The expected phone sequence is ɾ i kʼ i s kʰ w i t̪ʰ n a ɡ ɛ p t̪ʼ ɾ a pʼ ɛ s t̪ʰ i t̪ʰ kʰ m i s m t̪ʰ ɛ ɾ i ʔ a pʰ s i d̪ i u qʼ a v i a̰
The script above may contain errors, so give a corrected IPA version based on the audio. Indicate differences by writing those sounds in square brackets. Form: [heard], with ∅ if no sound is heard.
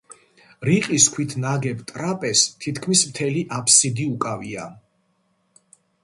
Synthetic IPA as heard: ɾ i [qʼ] i s kʰ w i t̪ʰ n a ɡ ɛ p t̪ʼ ɾ a pʼ ɛ s t̪ʰ i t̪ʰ kʰ m i s m t̪ʰ ɛ [l] i ʔ a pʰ s i d̪ i u [kʼ] a v i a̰